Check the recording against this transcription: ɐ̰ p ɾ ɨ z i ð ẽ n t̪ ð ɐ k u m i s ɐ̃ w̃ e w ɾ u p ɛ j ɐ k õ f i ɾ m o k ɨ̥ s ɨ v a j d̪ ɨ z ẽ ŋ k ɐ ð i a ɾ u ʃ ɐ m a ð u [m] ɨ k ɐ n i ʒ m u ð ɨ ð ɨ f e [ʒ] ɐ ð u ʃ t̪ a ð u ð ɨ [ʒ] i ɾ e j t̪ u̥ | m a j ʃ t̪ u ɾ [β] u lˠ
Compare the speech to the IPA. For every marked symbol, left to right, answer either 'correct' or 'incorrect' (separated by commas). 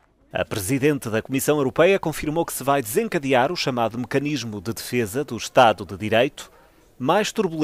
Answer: correct, incorrect, incorrect, correct